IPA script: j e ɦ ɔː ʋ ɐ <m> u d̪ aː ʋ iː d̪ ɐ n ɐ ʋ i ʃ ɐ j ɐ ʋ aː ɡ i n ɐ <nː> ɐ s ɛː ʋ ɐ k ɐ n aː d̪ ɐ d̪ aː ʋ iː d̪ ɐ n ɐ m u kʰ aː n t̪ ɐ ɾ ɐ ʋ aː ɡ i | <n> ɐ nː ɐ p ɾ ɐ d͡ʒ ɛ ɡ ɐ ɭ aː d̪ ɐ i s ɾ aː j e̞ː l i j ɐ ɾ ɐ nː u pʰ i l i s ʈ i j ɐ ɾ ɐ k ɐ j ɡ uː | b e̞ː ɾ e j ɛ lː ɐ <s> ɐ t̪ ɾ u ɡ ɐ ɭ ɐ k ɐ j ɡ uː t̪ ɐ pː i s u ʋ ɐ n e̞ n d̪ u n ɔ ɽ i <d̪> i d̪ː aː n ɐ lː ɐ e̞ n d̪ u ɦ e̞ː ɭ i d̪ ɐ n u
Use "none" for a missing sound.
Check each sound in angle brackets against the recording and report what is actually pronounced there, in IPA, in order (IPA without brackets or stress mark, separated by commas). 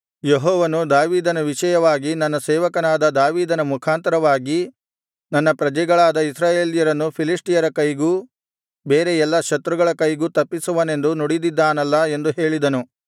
n, nː, n, ʃ, d̪